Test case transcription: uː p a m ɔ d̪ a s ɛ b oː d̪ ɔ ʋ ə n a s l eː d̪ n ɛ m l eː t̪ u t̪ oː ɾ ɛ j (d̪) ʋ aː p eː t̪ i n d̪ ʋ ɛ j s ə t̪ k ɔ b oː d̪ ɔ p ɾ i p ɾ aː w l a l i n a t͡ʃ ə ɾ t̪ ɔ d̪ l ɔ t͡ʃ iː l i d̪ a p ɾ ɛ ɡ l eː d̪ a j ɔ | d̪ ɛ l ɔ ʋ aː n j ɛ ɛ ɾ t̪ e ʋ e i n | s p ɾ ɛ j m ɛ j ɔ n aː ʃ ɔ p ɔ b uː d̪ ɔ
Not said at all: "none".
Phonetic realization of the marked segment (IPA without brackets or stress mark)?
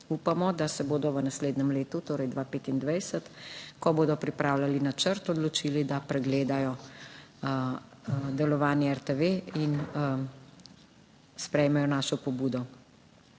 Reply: d̪